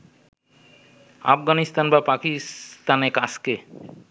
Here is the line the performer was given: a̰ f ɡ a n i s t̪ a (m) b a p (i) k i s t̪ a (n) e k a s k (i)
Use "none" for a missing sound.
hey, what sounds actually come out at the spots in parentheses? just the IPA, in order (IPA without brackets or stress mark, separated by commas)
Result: n, a, n, e